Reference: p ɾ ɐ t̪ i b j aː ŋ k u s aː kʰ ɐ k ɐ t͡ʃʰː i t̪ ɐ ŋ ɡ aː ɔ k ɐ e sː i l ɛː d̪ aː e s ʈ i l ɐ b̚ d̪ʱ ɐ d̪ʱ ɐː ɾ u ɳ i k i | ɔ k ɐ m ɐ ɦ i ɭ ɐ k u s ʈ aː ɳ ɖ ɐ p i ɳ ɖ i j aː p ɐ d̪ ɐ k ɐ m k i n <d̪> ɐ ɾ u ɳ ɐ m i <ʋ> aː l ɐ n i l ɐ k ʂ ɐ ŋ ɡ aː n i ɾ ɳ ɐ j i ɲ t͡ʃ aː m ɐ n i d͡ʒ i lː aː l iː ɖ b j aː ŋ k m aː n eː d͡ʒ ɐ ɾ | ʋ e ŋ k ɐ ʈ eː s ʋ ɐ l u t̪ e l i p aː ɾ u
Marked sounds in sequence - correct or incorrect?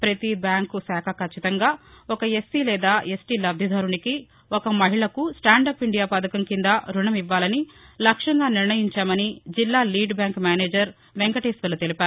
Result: correct, incorrect: ʋː

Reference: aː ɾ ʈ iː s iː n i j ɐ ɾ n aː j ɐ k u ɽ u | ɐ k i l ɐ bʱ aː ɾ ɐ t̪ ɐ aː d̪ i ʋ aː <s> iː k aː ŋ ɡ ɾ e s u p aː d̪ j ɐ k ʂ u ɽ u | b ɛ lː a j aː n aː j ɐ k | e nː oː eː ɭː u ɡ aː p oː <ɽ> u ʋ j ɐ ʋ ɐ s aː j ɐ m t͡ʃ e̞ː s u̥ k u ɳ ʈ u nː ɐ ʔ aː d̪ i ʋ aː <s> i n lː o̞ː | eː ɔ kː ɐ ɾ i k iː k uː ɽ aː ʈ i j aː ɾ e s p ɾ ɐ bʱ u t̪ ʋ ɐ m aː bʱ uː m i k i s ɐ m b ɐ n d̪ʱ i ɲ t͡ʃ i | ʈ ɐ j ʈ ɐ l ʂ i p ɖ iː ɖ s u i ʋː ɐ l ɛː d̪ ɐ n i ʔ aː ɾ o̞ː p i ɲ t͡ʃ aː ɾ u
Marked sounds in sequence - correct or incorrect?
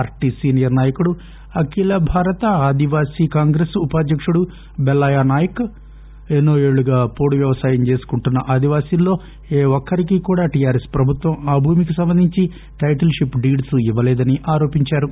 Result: correct, correct, correct

